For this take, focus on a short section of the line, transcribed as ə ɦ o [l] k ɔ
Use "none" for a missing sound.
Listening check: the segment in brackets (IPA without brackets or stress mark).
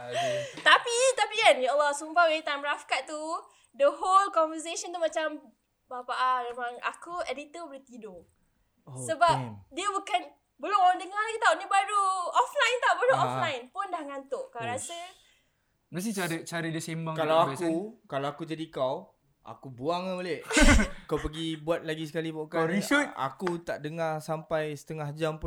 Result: l